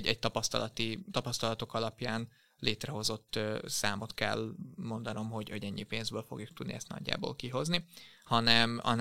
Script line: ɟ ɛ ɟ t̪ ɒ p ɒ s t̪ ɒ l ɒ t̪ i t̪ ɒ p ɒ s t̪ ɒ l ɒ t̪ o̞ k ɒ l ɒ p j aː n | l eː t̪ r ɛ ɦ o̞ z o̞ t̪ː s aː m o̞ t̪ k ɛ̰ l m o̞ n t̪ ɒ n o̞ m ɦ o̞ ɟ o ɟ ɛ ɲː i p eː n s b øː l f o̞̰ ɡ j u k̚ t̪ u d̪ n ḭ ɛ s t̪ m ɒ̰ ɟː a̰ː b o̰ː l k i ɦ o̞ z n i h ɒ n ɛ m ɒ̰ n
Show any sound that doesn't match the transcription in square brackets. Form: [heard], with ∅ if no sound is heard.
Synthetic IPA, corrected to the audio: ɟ ɛ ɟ t̪ ɒ p ɒ s t̪ ɒ l ɒ t̪ i t̪ ɒ p ɒ s t̪ ɒ l ɒ t̪ o̞ k ɒ l ɒ p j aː n | l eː t̪ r ɛ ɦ o̞ z o̞ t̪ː s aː m o̞ t̪ k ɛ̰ l m o̞ n [d̪] ɒ n o̞ m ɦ o̞ ɟ o ɟ ɛ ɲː i p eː n [z] b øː l f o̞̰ ɡ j u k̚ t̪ u d̪ n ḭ ɛ s t̪ [n] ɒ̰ ɟː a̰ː b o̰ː l k i ɦ o̞ z n i h ɒ n ɛ m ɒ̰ n